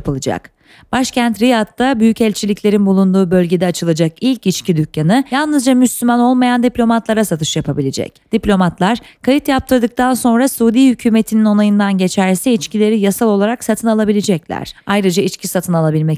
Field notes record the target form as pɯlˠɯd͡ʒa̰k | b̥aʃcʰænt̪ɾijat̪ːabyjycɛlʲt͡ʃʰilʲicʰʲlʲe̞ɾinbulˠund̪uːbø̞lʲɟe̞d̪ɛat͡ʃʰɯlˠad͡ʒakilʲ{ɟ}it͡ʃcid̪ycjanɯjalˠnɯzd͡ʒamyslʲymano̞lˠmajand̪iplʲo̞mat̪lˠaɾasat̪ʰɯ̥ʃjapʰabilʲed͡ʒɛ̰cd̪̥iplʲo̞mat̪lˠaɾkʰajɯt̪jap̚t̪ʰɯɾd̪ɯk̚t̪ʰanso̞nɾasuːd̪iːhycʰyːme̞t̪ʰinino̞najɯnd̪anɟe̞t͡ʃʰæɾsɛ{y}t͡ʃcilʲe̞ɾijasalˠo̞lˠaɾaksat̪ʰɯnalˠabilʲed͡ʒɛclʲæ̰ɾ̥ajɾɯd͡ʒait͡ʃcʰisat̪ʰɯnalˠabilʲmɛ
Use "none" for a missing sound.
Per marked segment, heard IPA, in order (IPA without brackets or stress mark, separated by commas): c, i